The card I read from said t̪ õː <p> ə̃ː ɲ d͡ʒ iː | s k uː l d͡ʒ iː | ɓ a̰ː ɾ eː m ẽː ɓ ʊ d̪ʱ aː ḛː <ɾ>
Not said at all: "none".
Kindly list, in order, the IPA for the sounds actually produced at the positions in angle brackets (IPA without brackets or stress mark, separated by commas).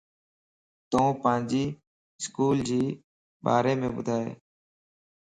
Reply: p, none